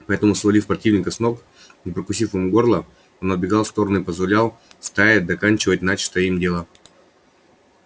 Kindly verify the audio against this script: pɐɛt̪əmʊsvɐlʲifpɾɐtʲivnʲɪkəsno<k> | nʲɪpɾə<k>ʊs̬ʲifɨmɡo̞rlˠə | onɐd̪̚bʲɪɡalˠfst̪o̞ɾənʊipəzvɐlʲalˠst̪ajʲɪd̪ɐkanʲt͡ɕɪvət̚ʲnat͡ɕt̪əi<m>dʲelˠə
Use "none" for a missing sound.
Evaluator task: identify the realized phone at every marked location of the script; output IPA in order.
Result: k, k, m

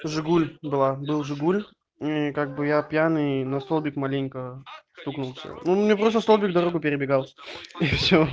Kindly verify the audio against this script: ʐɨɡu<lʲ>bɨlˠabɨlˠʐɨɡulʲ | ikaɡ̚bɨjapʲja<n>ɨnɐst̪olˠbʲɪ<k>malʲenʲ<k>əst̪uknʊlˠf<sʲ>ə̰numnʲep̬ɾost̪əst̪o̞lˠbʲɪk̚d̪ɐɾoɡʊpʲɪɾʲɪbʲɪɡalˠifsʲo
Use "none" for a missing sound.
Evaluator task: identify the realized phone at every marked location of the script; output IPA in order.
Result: lʲ, n, k, k, sʲ

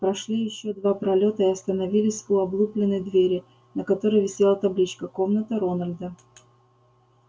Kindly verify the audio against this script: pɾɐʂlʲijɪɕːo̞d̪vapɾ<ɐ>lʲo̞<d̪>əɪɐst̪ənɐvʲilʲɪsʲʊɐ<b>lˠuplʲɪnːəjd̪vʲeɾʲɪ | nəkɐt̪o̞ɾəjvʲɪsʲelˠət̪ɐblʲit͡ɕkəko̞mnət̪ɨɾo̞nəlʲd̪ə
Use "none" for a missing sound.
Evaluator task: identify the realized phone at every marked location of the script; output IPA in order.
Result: ɐ, t̪, b

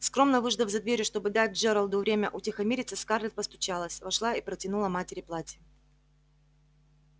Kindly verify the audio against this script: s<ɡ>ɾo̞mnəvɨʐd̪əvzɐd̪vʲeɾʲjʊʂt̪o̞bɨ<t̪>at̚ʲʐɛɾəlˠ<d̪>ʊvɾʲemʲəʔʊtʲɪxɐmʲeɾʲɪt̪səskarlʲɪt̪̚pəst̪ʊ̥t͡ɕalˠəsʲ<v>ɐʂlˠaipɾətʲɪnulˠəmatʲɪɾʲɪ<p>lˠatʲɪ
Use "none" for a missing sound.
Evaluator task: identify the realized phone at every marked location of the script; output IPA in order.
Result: k, d̪, d̪, v, p

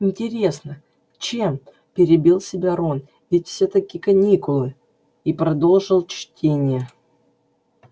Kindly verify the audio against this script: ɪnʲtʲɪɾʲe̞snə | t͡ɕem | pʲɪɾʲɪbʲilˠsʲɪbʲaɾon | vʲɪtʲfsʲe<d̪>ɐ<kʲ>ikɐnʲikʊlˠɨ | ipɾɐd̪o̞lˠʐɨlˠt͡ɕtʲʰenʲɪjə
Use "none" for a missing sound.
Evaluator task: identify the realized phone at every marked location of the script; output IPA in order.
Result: t̪, kʲ

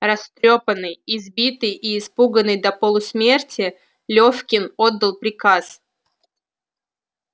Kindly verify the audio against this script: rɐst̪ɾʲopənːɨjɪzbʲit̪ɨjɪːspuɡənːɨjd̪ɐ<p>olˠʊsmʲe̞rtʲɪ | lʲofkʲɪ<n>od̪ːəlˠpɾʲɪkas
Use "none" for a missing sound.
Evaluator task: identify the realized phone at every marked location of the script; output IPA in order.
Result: p, n

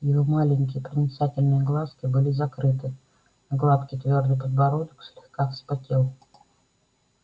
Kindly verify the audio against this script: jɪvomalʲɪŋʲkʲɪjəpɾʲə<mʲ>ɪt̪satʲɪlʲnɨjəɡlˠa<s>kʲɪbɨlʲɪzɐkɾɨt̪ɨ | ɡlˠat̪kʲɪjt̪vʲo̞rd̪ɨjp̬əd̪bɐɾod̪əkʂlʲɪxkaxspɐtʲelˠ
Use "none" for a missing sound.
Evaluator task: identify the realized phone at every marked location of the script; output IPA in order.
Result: nʲ, s

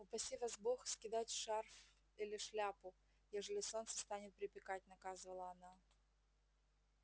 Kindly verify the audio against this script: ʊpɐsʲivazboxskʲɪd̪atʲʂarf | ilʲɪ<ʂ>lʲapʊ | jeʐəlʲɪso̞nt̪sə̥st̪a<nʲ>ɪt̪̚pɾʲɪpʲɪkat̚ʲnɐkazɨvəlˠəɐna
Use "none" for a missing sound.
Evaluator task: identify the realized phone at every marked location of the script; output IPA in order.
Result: ʂ, nʲ

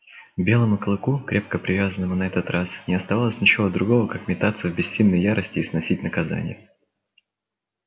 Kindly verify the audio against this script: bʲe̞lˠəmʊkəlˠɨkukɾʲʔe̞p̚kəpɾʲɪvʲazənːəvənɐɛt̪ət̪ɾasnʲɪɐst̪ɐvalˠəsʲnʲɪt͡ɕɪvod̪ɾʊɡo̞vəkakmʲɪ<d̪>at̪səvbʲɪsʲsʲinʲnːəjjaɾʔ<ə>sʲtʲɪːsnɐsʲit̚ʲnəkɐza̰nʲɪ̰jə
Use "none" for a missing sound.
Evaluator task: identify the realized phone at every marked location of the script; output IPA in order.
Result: t̪, ə

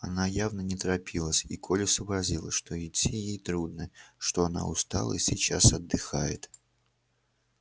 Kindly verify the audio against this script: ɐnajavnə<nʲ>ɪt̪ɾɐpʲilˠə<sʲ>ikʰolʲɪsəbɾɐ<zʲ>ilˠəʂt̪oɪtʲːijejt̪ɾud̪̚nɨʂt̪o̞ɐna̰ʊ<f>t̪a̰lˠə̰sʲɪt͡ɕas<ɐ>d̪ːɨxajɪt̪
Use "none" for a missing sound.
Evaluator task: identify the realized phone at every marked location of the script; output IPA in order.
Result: nʲ, sʲ, zʲ, s, ɐ

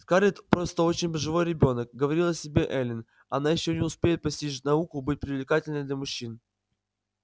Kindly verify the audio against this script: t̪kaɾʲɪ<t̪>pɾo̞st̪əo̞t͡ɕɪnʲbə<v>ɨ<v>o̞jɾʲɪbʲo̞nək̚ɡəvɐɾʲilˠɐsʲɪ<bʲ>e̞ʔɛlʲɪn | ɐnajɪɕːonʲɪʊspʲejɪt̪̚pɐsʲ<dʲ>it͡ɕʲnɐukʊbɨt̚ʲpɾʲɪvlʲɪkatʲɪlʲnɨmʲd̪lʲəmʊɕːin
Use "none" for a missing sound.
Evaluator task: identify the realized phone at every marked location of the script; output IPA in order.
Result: t̪, ʐ, v, bʲ, tʲ

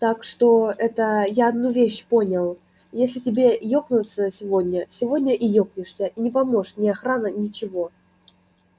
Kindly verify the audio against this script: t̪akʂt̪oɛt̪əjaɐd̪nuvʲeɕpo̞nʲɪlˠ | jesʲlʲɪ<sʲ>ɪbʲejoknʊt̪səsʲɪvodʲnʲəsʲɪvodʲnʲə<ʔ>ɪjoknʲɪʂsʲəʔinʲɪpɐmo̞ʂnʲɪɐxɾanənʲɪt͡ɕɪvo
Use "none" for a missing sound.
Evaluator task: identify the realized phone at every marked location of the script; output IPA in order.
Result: tʲ, ʔ

